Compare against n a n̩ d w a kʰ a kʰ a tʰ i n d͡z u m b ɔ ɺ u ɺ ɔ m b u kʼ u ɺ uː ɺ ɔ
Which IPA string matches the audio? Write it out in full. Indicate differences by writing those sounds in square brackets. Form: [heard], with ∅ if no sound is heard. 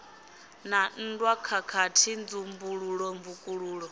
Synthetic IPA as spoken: n a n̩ d w a kʰ a kʰ a tʰ i n d͡z u m b [u] ɺ u ɺ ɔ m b u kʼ u ɺ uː ɺ ɔ